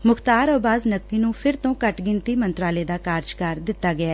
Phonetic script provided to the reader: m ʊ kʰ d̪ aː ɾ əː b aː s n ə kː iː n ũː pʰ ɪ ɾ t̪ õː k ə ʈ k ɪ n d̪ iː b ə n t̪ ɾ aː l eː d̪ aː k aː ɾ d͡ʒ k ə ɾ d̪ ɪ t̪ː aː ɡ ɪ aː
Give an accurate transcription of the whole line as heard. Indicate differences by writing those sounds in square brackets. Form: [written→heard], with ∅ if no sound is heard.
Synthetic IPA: m ʊ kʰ [d̪→t̪] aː ɾ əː b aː [s→z] n ə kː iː n ũː pʰ ɪ ɾ t̪ õː k ə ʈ [k→ɡ] ɪ n [d̪→t̪] iː [b→m] ə n t̪ ɾ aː l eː d̪ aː k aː ɾ d͡ʒ k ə ɾ d̪ ɪ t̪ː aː ɡ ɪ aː